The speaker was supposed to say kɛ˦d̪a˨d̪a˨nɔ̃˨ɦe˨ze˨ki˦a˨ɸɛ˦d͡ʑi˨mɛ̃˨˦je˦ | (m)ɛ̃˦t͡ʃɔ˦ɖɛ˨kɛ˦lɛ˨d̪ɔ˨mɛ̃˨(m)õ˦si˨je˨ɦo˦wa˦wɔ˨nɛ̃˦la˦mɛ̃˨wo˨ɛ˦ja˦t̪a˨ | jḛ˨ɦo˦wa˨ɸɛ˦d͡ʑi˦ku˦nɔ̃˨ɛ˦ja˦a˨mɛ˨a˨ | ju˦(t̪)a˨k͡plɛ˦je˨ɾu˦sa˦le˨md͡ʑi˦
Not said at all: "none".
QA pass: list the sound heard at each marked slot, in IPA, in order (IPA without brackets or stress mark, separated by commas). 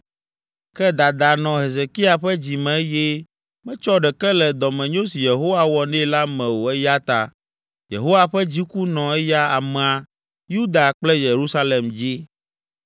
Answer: m, ɲ, d̪